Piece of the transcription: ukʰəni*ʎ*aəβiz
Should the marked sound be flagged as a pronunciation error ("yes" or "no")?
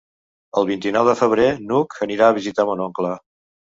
yes